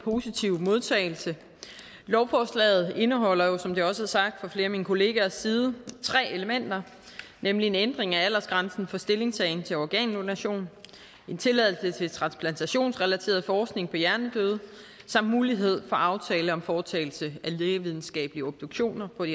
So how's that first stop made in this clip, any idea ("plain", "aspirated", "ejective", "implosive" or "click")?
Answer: aspirated